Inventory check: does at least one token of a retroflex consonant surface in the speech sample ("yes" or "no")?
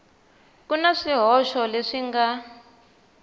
yes